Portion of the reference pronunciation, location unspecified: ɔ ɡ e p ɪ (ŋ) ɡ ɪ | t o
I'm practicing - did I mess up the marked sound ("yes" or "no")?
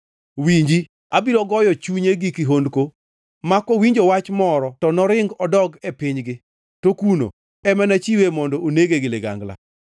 yes